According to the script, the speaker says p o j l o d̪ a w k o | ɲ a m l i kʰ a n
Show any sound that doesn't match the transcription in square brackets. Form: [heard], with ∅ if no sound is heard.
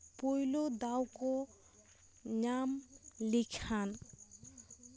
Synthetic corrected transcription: p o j l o d̪ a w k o | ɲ a m l i kʰ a n